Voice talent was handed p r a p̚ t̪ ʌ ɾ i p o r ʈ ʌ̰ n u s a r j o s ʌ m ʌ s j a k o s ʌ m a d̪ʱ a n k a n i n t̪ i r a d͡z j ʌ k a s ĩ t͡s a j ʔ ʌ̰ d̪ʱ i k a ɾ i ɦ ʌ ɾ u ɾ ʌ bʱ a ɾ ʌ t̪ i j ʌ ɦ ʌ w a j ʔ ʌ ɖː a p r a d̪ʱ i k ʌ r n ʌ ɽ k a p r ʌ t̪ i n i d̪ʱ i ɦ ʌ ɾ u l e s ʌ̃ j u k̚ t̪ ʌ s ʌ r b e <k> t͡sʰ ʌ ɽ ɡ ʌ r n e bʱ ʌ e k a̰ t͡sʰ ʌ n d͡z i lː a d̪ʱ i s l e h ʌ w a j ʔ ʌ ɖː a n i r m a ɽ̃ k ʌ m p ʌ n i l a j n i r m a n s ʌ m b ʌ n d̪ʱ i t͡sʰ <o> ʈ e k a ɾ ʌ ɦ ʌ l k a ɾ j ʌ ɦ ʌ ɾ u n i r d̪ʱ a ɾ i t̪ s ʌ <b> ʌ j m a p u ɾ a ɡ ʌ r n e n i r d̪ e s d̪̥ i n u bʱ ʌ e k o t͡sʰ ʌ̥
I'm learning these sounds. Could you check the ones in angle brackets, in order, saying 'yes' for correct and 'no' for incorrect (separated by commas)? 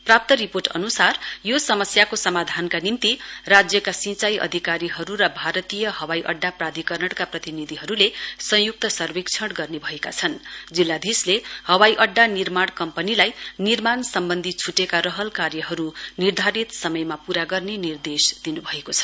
yes, no, no